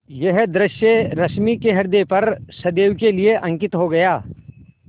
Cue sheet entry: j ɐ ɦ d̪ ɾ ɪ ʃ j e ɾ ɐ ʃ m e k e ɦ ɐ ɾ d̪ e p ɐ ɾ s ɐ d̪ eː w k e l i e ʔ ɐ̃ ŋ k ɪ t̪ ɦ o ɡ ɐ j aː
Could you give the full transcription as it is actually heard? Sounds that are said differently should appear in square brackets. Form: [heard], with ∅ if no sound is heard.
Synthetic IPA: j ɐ ɦ d̪ ɾ ɪ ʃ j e ɾ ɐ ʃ m [i] k e ɦ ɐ ɾ d̪ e p ɐ ɾ s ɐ d̪ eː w k e l i e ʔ ɐ̃ ŋ k ɪ t̪ ɦ o ɡ ɐ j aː

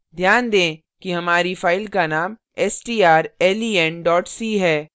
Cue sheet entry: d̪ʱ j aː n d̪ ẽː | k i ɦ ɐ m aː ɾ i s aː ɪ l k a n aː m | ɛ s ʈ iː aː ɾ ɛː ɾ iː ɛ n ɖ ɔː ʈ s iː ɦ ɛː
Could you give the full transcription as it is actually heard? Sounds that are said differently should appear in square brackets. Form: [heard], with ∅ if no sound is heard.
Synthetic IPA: d̪ʱ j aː n d̪ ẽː | k i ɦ ɐ m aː ɾ i [f] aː ɪ l k a n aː m | ɛ s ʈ iː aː ɾ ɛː [l] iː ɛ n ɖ ɔː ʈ s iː ɦ ɛː

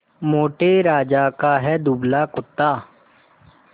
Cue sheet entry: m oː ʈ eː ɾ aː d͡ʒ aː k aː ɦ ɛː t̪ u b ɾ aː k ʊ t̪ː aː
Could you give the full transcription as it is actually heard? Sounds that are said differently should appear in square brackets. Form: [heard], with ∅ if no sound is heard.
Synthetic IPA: m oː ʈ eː ɾ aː d͡ʒ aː k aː ɦ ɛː [d̪] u b [l] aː k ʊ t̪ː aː

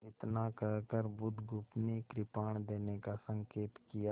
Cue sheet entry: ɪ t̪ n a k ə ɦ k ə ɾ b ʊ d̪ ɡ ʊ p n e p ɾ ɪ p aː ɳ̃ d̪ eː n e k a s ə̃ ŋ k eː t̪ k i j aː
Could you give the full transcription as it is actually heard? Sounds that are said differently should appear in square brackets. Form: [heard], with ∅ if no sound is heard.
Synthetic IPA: ɪ t̪ n a k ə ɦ k ə ɾ b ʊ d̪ ɡ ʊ p n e [k] ɾ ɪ p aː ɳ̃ d̪ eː n e k a s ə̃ ŋ k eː t̪ k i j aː

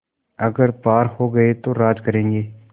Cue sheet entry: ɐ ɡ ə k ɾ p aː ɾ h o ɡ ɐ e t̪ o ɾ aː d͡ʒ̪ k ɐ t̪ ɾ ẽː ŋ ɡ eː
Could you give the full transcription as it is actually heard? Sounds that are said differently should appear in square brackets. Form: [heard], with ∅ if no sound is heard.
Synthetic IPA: ɐ ɡ ə [∅] ɾ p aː ɾ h o ɡ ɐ e t̪ o ɾ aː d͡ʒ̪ k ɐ [∅] ɾ ẽː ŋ ɡ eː

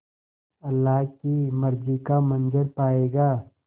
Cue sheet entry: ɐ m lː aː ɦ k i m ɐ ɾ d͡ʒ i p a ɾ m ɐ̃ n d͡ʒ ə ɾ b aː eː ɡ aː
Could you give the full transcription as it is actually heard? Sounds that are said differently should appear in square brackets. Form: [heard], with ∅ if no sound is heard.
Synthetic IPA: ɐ [∅] lː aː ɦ k i m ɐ ɾ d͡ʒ i [k] a [∅] m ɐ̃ n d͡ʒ ə ɾ [p] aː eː ɡ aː

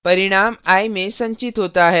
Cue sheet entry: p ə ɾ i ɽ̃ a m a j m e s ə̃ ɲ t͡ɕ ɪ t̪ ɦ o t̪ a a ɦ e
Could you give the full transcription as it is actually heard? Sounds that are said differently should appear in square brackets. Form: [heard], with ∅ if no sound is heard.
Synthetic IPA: p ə ɾ i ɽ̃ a m a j m e s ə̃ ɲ t͡ɕ [i] t̪ ɦ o t̪ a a ɦ e

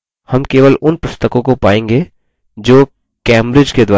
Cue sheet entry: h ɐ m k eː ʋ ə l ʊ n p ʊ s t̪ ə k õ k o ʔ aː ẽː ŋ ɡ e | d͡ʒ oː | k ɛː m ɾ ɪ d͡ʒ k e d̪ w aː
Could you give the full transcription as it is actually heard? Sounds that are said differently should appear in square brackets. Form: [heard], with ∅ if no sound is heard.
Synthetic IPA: h ɐ m k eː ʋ ə l ʊ n p ʊ s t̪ ə k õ k o [p] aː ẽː ŋ ɡ e | d͡ʒ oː | k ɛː m ɾ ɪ d͡ʒ k e d̪ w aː

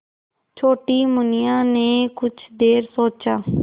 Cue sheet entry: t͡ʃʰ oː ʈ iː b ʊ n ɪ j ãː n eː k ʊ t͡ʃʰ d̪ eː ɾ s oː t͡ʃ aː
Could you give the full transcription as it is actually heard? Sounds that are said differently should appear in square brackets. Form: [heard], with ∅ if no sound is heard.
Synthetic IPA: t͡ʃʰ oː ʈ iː [m] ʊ n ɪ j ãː n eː k ʊ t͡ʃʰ d̪ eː ɾ s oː t͡ʃ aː

